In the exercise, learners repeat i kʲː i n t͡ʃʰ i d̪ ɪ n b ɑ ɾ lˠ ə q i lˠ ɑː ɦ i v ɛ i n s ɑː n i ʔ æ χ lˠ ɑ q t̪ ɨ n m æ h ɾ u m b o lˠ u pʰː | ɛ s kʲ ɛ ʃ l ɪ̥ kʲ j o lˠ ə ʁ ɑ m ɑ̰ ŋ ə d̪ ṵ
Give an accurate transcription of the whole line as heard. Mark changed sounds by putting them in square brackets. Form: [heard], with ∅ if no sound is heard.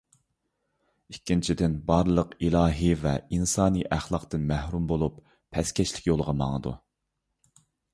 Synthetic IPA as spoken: i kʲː i n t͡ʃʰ i d̪ ɪ n b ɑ ɾ lˠ ə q i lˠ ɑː ɦ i v ɛ i n s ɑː n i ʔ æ χ lˠ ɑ q t̪ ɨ n m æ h ɾ u m b o lˠ u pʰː | ɛ s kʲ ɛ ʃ l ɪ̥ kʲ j o lˠ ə ʁ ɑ m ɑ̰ ŋ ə d̪ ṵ